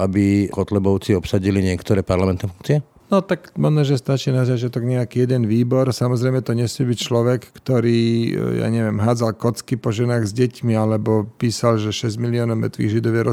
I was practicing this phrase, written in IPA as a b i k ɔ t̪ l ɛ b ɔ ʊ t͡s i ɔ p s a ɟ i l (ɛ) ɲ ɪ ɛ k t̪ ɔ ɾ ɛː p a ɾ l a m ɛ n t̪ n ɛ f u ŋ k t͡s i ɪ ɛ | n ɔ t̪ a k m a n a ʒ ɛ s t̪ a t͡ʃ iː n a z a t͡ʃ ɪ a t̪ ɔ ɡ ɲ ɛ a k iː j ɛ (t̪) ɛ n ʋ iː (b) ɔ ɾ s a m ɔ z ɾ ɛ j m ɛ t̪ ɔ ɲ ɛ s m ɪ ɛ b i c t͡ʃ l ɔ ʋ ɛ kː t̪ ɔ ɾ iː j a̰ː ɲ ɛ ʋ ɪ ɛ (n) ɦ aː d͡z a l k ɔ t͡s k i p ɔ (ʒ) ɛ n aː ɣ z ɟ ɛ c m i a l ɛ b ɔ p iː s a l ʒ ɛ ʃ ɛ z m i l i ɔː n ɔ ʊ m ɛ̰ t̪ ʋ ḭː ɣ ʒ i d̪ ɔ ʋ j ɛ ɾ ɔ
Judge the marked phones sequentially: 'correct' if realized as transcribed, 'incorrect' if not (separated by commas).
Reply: incorrect, incorrect, correct, incorrect, correct